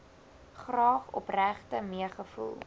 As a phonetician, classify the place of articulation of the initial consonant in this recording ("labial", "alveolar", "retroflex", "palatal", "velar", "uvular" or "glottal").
uvular